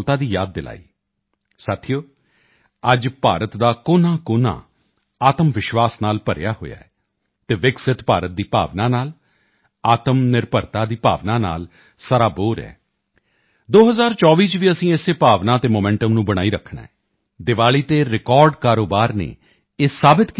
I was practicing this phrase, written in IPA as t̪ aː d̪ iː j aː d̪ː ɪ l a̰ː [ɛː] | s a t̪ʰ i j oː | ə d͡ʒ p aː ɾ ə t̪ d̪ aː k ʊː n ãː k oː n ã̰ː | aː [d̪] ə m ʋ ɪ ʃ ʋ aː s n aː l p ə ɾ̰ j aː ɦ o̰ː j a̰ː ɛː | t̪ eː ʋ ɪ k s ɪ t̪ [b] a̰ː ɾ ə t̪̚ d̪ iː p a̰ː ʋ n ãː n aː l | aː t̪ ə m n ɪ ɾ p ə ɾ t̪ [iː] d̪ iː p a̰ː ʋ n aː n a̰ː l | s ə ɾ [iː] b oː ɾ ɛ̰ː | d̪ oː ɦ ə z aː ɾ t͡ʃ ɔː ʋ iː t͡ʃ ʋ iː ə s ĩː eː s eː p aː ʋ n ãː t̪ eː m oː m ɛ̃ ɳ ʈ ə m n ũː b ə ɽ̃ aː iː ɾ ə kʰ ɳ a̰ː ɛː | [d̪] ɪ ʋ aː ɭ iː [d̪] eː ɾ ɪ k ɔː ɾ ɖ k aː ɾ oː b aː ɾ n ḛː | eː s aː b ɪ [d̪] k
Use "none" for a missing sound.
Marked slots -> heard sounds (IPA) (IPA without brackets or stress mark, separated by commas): iː, t̪, p, aː, aː, d̪, t̪, t̪